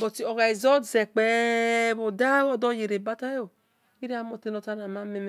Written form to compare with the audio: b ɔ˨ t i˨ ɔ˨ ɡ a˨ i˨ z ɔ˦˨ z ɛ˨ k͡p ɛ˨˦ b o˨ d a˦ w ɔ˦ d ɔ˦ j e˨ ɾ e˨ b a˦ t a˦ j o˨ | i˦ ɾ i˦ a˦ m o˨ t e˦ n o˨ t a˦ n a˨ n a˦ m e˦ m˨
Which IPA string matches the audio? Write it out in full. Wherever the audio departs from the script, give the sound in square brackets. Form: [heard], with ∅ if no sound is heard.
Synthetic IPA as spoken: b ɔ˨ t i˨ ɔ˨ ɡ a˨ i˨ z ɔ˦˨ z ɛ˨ k͡p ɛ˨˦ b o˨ d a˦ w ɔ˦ d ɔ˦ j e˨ ɾ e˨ b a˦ t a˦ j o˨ | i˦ ɾ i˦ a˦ m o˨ t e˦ n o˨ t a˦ n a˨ [m] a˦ m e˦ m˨